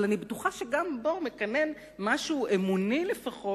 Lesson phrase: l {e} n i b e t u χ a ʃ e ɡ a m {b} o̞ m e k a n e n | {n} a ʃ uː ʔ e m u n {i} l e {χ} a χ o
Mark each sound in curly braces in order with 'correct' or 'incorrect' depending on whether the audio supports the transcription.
incorrect: a, correct, incorrect: m, correct, incorrect: f

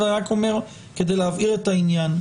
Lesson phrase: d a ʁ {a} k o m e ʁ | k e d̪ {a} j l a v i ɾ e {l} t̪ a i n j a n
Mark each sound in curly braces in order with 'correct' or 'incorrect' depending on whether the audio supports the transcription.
correct, incorrect: e, incorrect: none

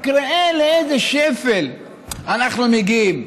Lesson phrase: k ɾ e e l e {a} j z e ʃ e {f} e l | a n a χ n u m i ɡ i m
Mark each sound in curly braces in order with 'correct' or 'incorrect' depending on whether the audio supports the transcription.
incorrect: e, correct

